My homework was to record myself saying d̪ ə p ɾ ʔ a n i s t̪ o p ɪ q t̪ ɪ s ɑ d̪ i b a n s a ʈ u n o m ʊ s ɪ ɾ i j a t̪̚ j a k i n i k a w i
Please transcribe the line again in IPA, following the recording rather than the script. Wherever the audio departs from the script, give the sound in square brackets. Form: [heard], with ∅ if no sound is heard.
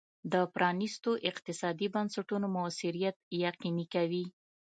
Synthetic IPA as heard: d̪ ə p ɾ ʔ [ɑ] n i s t̪ o [ʔ] ɪ q t̪ ɪ s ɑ d̪ i b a n s a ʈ u n o m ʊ s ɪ ɾ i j a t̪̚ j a [q] i n i k a w i